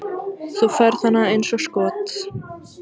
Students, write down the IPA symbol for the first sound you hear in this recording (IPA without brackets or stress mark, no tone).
θ